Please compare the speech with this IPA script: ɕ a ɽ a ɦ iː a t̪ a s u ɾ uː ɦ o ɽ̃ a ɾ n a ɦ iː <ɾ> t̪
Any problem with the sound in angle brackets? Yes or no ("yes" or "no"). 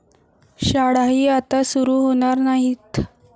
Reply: yes